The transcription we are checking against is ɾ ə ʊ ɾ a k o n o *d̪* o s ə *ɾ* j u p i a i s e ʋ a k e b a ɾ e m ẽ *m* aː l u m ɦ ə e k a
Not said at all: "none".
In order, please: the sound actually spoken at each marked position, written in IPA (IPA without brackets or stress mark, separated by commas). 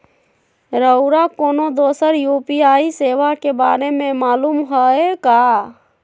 d̪, ɾ, m